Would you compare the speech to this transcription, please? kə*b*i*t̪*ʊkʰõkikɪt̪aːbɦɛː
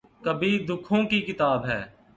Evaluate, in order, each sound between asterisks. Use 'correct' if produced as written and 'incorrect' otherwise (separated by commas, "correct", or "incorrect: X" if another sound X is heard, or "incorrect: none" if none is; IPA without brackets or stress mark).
correct, incorrect: d̪